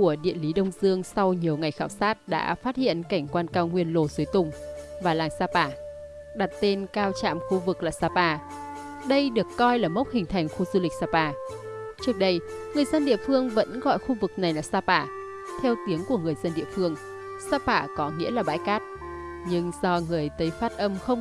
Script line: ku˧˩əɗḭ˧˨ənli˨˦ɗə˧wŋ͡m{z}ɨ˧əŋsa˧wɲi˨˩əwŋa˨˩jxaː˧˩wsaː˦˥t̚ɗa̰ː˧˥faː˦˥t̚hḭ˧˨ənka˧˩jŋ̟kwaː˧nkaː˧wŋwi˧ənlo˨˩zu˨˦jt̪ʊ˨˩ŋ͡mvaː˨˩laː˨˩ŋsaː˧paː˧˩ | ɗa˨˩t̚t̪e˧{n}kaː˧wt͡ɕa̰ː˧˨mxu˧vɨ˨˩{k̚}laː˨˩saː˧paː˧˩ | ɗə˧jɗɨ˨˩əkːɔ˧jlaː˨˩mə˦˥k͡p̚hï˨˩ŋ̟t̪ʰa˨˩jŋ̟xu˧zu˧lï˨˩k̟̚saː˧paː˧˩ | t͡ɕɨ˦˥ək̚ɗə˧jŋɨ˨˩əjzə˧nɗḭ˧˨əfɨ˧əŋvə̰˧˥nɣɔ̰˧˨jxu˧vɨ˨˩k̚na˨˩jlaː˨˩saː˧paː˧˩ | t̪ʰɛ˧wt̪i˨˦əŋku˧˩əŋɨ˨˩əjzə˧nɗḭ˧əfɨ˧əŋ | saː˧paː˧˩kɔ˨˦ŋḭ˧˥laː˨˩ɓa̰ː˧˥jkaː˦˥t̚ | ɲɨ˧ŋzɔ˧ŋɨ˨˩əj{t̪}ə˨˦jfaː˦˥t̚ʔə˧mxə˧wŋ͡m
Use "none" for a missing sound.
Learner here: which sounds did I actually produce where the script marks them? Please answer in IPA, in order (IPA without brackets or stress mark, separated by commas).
z, n, k̚, t̪